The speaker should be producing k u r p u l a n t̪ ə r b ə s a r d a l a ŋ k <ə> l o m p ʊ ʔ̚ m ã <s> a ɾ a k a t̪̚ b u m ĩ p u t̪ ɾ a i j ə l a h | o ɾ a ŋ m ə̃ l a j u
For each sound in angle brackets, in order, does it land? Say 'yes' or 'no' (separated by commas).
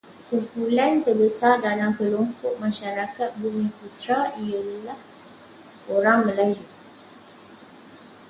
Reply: yes, no